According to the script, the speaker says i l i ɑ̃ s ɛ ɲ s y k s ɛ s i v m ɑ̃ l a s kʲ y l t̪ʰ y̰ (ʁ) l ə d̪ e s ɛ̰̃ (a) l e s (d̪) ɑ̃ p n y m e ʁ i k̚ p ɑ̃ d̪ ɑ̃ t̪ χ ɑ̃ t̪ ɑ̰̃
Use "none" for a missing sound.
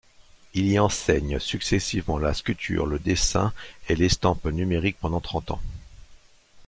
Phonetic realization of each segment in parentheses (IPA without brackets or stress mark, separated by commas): ʁ, e, t̪